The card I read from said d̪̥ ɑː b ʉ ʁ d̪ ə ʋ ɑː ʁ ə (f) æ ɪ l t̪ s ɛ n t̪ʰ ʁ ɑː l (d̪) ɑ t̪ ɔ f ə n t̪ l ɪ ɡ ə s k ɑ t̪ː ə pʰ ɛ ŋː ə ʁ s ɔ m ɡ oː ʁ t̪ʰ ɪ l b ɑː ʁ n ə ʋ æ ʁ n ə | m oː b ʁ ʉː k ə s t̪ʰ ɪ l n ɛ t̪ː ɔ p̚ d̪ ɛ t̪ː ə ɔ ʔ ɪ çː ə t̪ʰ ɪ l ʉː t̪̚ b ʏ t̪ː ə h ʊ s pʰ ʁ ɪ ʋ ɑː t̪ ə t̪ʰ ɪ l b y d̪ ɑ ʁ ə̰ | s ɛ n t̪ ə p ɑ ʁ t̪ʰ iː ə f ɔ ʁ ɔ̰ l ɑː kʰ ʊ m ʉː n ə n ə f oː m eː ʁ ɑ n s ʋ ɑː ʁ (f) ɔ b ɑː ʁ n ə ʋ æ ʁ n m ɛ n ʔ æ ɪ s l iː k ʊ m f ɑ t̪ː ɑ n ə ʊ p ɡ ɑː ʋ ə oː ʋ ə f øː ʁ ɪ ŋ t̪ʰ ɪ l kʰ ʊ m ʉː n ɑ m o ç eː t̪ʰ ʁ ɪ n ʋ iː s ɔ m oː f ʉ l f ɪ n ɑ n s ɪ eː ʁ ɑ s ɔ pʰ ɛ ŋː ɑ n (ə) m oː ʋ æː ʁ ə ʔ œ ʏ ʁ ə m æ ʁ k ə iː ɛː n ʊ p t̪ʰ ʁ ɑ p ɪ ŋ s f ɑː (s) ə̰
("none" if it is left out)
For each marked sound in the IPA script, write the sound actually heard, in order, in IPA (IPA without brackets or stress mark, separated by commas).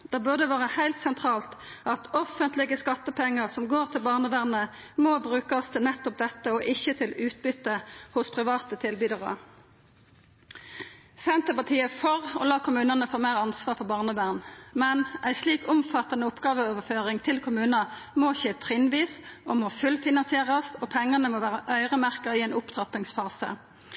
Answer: h, t̪, f, ə, s